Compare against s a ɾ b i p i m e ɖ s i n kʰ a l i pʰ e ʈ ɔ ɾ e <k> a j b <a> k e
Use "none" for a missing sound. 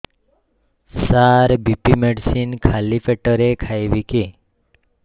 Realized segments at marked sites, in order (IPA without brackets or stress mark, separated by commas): kʰ, i